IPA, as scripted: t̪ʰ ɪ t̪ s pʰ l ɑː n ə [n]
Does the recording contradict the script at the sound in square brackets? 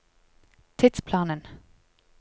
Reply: no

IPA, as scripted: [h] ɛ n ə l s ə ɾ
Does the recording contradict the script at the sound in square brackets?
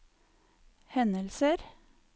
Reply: no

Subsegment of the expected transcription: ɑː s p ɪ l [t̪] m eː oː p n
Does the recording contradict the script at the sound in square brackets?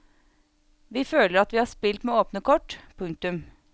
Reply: no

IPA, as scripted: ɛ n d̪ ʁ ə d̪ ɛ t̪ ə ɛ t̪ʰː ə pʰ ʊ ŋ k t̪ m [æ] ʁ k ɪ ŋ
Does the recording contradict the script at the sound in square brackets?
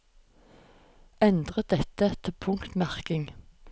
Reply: no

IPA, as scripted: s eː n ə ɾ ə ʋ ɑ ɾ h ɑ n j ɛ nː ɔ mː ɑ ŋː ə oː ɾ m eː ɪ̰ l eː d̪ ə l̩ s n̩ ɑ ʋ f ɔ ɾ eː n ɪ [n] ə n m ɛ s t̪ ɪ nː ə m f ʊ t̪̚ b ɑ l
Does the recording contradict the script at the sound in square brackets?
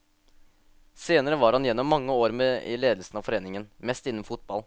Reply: yes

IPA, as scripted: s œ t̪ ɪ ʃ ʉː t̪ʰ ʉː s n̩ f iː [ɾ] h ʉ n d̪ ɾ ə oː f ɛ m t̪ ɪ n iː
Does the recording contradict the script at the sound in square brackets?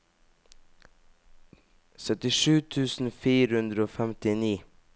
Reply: no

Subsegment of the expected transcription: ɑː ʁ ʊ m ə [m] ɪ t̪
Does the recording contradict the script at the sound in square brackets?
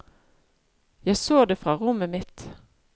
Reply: no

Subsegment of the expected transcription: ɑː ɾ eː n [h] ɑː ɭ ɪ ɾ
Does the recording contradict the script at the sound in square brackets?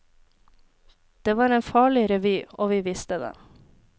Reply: yes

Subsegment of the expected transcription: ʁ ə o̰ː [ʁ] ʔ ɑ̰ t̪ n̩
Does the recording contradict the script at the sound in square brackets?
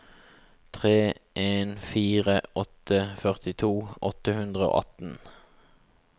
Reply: yes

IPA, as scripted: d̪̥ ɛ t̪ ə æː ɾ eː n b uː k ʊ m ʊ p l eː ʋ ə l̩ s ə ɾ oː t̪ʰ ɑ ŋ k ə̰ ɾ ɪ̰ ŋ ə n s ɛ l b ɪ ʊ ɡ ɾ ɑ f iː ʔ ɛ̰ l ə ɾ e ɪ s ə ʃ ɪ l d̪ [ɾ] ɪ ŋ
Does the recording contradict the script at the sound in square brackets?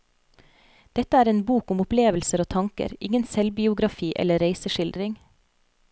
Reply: no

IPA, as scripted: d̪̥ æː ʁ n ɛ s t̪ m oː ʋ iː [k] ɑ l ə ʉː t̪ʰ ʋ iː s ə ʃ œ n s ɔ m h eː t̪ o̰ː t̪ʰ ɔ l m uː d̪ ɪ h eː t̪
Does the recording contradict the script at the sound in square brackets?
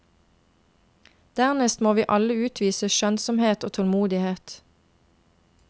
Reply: yes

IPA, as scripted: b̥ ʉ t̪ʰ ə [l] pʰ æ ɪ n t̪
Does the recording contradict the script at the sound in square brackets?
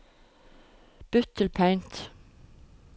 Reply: no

